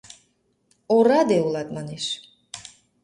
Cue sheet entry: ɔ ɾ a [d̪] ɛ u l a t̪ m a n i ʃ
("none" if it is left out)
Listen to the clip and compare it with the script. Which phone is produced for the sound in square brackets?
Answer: d̪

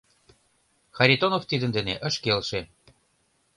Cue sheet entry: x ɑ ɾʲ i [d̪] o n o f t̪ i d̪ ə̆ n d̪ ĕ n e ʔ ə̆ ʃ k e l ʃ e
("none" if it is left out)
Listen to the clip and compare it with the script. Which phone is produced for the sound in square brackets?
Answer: t̪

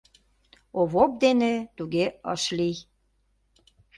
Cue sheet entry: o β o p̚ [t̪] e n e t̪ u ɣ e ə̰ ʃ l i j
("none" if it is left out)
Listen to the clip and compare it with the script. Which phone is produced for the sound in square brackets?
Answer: d̪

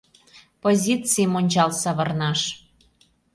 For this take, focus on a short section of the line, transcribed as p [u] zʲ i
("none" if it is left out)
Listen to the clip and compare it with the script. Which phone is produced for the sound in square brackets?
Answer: o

